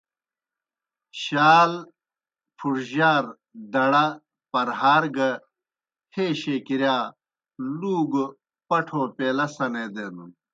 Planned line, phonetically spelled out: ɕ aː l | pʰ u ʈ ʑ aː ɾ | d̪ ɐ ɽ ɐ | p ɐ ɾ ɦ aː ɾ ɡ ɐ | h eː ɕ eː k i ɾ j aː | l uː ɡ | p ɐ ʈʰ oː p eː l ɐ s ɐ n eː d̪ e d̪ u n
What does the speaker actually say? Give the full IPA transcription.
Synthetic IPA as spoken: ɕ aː l | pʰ u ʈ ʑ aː ɾ | d̪ ɐ ɽ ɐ | p ɐ ɾ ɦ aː ɾ ɡ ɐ | h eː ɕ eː k i ɾ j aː | l uː ɡ | p ɐ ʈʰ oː p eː l ɐ s ɐ n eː d̪ e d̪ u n